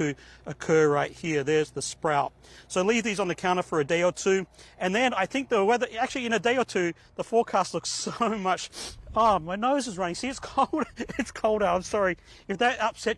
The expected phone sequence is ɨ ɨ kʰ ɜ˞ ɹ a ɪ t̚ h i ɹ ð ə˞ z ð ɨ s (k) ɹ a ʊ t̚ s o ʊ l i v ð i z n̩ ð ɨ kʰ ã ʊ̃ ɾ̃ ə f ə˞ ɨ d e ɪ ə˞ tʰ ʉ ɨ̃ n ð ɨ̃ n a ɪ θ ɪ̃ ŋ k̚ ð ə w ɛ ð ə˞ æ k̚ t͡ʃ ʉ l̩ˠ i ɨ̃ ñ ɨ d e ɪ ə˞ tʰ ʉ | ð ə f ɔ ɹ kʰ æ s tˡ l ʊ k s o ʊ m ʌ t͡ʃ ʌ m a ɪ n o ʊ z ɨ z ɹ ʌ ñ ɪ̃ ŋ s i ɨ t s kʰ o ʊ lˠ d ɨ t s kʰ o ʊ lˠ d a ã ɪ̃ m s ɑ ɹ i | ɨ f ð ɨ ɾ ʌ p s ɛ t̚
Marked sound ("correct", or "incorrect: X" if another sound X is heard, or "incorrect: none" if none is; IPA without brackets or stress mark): incorrect: p